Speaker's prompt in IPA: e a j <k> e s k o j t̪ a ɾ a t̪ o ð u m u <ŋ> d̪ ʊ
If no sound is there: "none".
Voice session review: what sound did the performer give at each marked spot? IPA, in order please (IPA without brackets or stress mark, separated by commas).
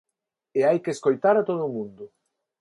k, n